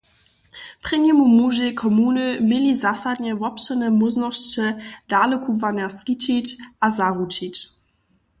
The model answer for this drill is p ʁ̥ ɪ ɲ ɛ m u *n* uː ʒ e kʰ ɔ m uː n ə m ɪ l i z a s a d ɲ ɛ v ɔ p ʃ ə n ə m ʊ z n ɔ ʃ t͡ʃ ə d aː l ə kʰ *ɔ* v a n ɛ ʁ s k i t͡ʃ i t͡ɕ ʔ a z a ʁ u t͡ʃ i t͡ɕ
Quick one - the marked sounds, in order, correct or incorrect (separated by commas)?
incorrect, incorrect